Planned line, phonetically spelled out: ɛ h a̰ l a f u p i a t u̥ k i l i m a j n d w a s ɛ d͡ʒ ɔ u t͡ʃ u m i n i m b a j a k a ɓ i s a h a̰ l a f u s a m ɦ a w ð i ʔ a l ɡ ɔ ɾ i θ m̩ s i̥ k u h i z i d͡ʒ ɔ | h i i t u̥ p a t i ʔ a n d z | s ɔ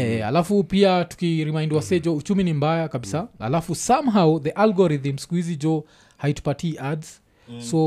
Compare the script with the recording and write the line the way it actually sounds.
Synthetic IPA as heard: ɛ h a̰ l a f u p i a t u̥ k i ɾ i m a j n d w a s ɛ d͡ʒ ɔ u t͡ʃ u m i n i m b a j a k a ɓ i s a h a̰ l a f u s a m ɦ a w ð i ʔ a l ɡ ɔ ɾ i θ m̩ s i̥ k u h i z i d͡ʒ ɔ | h a i t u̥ p a t i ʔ a d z | s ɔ